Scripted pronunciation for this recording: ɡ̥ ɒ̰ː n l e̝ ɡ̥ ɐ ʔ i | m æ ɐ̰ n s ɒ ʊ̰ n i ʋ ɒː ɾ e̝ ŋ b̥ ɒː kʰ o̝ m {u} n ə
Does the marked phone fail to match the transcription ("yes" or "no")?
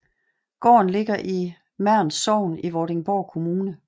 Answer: yes